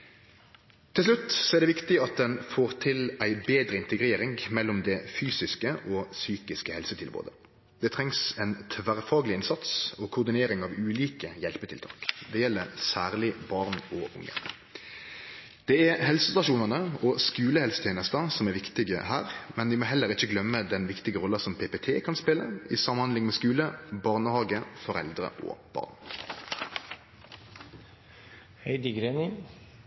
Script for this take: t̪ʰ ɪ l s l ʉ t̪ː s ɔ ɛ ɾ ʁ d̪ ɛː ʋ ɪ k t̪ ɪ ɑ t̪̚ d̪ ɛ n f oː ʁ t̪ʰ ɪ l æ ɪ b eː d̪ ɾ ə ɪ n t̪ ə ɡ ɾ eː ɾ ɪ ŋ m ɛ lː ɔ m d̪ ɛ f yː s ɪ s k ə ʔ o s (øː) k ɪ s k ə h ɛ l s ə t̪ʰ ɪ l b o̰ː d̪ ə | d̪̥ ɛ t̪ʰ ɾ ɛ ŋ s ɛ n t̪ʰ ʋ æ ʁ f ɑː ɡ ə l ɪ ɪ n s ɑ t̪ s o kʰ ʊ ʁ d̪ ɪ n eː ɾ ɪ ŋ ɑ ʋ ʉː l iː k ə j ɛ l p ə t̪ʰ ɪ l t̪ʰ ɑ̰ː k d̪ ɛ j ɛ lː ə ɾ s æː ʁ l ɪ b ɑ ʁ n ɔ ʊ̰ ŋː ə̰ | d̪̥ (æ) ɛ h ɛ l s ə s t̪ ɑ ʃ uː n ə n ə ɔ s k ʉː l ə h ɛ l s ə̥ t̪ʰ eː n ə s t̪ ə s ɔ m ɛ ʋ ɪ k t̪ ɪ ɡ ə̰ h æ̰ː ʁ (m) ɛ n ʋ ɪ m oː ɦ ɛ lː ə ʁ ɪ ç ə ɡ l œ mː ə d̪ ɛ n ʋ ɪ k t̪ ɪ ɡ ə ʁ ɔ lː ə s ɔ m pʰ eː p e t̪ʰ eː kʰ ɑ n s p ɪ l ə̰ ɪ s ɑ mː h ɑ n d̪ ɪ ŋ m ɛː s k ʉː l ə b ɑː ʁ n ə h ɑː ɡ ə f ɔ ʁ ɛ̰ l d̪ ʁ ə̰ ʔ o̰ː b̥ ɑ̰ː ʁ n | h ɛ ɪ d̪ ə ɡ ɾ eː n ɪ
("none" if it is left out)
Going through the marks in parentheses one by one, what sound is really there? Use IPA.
yː, ɛ, m

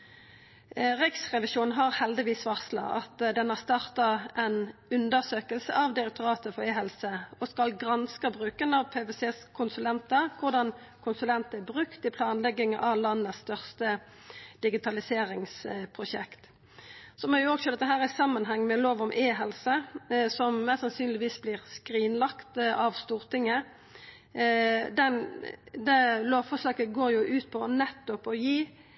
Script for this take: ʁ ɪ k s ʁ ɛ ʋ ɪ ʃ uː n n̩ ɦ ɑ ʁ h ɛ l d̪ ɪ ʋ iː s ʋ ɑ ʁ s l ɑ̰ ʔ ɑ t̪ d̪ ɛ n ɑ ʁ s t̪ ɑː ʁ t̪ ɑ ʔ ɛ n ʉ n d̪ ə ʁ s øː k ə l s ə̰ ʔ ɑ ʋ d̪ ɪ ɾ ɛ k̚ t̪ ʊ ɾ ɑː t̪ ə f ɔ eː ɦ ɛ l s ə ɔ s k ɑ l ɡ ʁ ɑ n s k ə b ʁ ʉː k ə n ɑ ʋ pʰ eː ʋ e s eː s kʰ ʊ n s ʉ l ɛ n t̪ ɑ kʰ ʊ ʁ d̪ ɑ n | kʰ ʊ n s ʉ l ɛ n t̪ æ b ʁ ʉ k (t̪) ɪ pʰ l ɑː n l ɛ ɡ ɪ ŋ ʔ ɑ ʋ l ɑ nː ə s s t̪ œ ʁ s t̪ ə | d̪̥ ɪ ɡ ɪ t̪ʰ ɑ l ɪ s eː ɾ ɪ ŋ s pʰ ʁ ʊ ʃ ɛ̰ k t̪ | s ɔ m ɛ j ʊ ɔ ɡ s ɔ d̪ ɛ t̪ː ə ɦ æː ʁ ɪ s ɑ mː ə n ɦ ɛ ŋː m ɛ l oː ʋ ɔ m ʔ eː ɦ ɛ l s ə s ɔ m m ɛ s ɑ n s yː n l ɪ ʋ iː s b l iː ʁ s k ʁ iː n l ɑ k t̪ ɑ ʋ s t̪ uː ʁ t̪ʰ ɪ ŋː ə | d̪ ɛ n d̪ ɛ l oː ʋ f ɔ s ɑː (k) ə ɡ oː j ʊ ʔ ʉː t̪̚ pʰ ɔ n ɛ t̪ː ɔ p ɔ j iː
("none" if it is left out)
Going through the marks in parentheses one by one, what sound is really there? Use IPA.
t̪, k

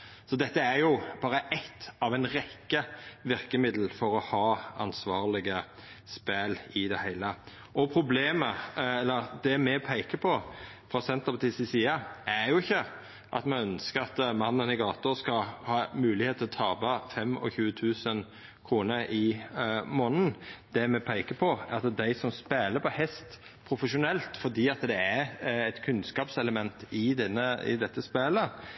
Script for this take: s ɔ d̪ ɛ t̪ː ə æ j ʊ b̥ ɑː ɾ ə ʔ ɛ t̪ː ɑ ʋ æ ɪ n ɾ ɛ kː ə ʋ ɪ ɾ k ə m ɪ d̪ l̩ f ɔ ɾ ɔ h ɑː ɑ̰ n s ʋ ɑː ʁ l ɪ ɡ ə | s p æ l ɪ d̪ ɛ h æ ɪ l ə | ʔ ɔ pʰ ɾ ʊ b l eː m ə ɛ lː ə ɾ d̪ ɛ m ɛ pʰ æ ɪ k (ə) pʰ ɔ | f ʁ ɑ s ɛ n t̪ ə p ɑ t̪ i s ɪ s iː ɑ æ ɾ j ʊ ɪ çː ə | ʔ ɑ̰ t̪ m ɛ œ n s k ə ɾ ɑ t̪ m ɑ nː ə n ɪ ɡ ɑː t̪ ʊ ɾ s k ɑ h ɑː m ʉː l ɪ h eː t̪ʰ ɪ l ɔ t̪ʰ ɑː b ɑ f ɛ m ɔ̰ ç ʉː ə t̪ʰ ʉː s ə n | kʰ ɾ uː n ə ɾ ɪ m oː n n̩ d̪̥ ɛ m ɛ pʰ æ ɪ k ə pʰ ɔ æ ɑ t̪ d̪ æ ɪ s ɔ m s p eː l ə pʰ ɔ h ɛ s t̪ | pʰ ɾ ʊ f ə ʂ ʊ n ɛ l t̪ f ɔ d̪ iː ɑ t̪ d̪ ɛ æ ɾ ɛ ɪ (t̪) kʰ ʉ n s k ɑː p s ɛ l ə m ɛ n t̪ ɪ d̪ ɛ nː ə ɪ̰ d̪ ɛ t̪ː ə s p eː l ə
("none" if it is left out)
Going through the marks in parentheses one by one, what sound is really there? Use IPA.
ə, t̪

